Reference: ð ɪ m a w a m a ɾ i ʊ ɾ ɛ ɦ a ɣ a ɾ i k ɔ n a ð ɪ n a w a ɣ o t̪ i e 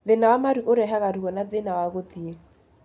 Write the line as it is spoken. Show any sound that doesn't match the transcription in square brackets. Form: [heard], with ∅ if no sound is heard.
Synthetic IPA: ð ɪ [n] a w a m a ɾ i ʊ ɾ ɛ ɦ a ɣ a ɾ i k ɔ n a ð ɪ n a w a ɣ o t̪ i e

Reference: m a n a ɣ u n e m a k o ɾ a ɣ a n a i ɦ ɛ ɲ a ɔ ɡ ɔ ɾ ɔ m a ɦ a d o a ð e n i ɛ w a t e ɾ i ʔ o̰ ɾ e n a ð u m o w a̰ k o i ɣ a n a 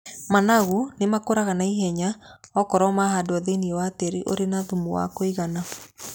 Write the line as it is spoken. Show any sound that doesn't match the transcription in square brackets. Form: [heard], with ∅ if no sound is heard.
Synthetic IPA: m a n a ɣ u n e m a k o ɾ a ɣ a n a i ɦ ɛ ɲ a ɔ [k] ɔ ɾ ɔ m a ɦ a d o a ð e n i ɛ w a t e ɾ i ʔ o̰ ɾ e n a ð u m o w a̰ k o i ɣ a n a

